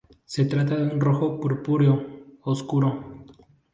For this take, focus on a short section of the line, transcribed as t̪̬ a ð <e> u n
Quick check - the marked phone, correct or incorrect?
correct